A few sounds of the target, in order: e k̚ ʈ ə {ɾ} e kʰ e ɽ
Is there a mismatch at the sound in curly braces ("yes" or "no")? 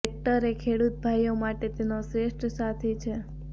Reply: no